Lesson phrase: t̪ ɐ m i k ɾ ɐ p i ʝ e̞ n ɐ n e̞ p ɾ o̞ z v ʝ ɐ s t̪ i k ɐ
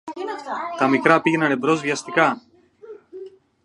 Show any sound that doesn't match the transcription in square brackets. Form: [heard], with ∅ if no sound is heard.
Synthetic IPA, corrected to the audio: t̪ ɐ m i k ɾ ɐ p i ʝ e̞ n ɐ n e̞ [b] ɾ o̞ z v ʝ ɐ s t̪ i k ɐ